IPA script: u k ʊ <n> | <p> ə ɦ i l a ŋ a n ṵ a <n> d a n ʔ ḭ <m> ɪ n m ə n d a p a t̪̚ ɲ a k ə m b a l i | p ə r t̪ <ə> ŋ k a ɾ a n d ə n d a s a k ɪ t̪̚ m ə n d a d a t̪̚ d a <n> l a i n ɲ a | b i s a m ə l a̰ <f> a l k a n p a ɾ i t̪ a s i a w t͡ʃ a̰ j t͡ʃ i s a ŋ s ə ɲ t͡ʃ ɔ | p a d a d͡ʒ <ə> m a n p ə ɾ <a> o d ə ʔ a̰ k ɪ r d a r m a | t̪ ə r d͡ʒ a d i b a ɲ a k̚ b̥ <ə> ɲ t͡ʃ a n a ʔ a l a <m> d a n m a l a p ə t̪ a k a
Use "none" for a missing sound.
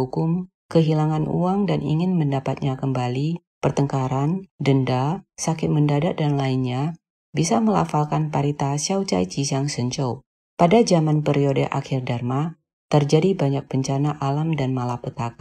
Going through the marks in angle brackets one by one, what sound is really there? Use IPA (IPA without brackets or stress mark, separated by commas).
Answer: m, k, ŋ, ŋ, ə, n, f, a, i, ə, m